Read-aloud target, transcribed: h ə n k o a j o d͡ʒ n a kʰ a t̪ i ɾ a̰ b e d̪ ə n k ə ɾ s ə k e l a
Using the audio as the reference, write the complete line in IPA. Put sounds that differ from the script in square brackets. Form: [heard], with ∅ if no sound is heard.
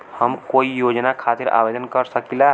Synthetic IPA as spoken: h ə [m] k o [i] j o d͡ʒ n a kʰ a t̪ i ɾ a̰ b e d̪ ə n k ə ɾ s ə k [i] l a